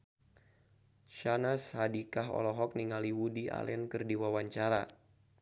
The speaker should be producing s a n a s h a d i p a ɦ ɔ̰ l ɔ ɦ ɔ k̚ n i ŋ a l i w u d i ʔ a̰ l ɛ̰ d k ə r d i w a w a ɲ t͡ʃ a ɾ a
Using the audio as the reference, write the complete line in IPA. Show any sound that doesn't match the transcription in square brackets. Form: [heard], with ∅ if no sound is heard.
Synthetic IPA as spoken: [ʃ] a n a s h a d i [k] a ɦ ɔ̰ l ɔ ɦ ɔ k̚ n i ŋ a l i w u d i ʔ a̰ l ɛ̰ [n] k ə r d i w a w a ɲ t͡ʃ a ɾ a